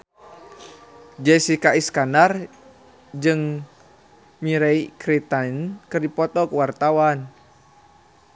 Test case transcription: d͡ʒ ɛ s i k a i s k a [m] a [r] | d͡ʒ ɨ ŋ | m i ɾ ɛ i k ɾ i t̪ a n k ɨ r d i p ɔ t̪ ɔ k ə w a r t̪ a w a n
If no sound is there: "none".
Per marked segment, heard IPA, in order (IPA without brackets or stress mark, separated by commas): n, r